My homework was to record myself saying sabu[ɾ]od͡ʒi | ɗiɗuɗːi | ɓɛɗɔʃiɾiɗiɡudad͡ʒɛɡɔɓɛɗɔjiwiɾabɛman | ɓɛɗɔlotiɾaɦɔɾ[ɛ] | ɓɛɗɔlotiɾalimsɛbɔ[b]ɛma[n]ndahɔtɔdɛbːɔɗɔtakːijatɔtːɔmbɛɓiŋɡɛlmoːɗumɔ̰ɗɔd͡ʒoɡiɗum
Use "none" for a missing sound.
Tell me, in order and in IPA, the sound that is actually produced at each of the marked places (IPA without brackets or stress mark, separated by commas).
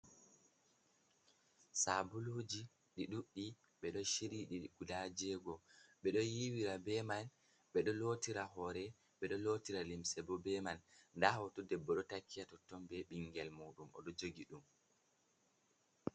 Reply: l, ɛ, b, n